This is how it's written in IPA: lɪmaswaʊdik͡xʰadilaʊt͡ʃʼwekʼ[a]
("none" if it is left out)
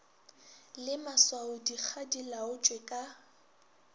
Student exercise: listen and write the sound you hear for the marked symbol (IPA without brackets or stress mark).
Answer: a